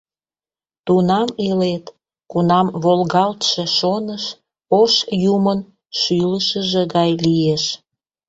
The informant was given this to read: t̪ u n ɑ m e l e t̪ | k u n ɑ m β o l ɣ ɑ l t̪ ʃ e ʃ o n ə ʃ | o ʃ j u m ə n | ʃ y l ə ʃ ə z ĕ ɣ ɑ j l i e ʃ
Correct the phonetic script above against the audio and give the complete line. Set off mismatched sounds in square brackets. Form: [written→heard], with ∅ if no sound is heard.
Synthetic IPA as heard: t̪ u n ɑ m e l e t̪ | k u n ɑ m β o l ɣ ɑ l t̪ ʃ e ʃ o n ə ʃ | o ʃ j u m ə n | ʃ y l ə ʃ ə [z→ʒ] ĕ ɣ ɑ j l i e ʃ

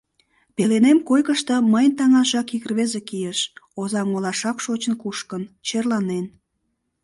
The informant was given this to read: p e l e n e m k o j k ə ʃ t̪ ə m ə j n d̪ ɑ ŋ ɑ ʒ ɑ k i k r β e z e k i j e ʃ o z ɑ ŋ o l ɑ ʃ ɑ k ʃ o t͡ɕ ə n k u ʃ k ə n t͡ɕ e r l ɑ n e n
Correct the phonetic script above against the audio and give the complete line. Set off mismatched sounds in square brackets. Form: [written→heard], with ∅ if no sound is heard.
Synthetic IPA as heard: p e l e n e m k o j k ə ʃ t̪ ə m ə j n [d̪→t̪] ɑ ŋ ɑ ʒ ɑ k i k r β e z e k i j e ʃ o z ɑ ŋ o l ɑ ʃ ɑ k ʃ o t͡ɕ ə n k u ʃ k ə n t͡ɕ e r l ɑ n e n

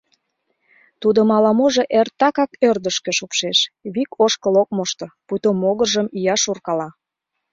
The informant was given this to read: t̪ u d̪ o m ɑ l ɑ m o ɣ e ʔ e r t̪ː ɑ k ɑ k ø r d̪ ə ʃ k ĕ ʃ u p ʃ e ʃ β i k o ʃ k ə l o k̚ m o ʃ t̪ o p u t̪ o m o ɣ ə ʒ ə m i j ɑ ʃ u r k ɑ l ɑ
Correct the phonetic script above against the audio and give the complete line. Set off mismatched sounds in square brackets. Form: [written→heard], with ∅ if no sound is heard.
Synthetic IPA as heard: t̪ u d̪ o m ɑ l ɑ m o [ɣ→ʒ] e ʔ e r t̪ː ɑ k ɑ k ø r d̪ ə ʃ k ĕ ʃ u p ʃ e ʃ β i k o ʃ k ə l o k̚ m o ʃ t̪ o p u t̪ o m o ɣ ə ʒ ə m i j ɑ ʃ u r k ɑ l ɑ

